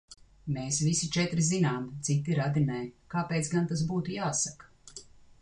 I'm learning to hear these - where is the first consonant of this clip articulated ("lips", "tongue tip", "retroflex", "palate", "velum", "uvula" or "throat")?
lips